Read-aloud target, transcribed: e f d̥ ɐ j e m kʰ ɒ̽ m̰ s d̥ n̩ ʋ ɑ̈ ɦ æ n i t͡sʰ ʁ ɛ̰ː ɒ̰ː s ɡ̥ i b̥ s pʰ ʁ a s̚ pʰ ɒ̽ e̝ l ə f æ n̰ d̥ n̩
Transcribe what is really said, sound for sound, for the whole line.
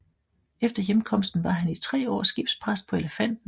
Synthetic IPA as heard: e f d̥ ɐ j e m kʰ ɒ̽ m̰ s d̥ n̩ ʋ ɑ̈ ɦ æ n i t͡sʰ ʁ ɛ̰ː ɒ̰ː s ɡ̥ i b̥ s pʰ ʁ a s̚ pʰ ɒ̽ e̝ l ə f æ n̰ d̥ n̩